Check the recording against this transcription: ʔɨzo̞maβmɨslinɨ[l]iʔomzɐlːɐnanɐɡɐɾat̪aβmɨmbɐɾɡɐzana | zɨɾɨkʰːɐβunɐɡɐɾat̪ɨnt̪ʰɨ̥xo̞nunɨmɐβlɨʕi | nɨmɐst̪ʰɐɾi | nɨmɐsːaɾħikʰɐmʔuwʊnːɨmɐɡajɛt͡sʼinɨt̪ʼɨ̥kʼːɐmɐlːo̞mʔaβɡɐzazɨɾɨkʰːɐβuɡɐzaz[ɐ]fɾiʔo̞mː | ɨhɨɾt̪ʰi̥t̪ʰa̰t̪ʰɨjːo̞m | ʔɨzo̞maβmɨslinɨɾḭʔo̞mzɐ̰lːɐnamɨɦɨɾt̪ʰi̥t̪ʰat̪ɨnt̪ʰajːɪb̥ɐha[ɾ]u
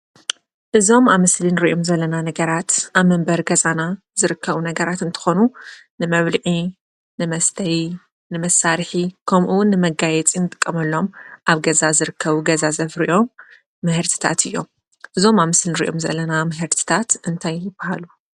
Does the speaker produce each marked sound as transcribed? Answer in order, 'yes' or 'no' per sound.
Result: no, yes, no

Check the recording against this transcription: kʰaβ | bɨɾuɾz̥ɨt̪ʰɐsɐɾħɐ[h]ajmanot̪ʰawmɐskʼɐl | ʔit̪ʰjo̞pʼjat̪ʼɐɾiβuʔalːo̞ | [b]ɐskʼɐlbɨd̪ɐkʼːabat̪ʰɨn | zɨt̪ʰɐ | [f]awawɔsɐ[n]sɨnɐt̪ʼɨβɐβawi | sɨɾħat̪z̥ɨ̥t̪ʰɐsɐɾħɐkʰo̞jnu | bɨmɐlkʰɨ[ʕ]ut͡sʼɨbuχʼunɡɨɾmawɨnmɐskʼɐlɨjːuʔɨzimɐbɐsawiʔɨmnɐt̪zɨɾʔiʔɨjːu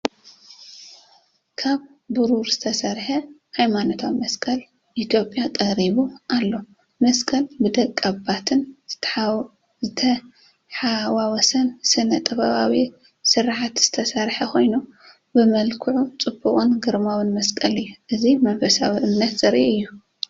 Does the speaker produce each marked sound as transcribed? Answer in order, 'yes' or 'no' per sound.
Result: yes, no, no, yes, yes

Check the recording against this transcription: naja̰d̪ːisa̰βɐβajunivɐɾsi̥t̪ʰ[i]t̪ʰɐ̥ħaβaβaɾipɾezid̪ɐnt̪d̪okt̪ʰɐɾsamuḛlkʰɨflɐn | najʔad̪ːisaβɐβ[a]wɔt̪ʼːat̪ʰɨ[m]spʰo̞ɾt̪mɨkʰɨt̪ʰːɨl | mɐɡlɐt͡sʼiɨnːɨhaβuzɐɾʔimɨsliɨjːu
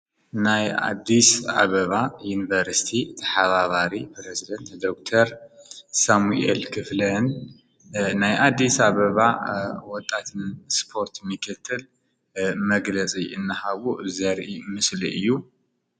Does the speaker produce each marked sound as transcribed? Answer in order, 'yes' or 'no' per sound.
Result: yes, yes, no

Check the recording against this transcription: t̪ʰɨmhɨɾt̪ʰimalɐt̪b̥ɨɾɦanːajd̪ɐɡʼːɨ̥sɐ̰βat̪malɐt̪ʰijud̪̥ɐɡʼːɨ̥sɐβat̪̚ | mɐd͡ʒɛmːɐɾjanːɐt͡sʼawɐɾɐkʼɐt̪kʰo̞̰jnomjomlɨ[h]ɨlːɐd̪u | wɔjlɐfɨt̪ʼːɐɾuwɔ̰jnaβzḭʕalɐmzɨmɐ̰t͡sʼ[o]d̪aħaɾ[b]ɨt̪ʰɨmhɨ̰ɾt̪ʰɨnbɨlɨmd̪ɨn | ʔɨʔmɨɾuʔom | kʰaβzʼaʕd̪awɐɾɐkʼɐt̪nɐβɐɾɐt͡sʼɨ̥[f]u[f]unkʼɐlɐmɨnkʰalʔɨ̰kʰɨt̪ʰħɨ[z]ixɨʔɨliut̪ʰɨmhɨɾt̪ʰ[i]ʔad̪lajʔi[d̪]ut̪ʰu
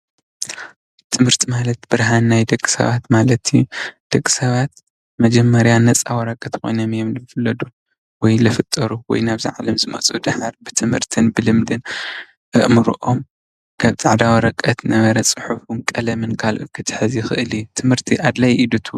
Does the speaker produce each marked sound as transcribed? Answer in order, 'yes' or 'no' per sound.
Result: no, no, yes, no, yes, yes, yes, yes

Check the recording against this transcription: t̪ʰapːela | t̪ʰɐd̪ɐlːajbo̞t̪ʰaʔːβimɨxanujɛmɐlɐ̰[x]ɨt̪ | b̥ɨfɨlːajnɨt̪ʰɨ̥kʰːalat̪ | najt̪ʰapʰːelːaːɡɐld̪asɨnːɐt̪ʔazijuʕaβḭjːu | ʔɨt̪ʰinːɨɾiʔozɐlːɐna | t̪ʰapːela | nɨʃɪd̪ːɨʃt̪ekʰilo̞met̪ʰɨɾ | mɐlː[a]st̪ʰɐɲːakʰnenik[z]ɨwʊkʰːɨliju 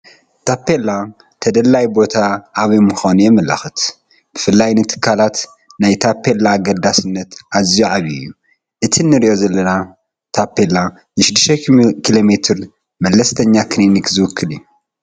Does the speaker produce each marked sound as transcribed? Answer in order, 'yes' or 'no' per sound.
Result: yes, no, yes

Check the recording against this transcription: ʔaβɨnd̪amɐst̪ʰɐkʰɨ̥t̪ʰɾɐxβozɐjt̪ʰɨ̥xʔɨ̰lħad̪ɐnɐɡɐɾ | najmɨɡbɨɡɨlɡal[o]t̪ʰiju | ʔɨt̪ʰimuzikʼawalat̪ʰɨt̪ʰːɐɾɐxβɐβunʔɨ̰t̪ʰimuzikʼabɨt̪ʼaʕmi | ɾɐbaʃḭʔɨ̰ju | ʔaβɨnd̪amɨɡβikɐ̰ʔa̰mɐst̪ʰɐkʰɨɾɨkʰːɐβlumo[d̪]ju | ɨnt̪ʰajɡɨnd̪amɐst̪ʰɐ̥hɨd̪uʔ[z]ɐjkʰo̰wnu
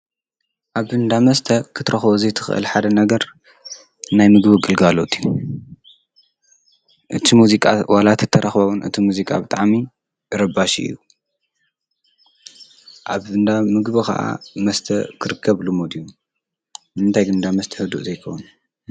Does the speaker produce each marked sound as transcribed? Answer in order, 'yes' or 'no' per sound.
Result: yes, yes, yes

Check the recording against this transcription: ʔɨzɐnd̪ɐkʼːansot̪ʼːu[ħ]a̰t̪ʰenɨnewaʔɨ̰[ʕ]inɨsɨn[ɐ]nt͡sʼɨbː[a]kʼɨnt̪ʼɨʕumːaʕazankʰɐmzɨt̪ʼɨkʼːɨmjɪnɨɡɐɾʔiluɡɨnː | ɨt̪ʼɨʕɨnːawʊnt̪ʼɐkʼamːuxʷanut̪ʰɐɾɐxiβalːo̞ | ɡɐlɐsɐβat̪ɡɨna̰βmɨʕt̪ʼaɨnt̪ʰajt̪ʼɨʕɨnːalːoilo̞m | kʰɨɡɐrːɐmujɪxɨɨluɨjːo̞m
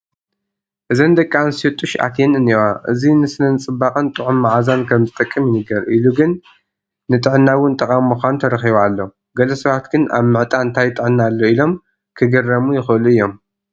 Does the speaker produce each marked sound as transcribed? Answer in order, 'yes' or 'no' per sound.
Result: no, no, yes, yes

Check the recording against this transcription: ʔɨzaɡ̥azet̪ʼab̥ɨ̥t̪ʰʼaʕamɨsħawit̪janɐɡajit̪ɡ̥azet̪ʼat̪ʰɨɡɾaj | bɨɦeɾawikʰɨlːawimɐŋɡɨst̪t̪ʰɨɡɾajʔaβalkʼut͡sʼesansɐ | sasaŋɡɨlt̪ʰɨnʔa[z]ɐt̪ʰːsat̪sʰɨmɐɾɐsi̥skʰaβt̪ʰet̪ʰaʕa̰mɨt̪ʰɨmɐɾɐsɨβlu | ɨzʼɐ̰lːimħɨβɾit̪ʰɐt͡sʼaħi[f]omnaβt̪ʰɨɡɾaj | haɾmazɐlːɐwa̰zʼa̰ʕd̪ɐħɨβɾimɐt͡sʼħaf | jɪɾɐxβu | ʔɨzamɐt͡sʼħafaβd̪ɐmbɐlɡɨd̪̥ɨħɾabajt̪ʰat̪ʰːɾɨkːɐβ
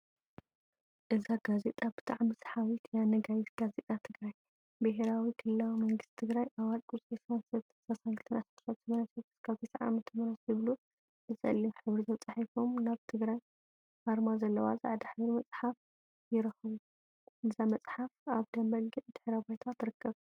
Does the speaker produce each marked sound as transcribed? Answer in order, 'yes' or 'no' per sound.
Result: no, yes

